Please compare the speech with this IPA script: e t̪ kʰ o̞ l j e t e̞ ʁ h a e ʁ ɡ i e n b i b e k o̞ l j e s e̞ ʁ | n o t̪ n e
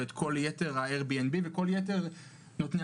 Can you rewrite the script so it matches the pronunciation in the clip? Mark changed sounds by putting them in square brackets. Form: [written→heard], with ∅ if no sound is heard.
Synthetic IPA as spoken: e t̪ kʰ o̞ l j e t e̞ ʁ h a e ʁ [ɡ→b] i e n b i [b→v] e k o̞ l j e [s→t] e̞ ʁ | n o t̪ n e